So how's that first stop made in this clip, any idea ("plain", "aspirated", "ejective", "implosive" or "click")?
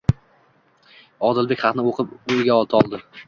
plain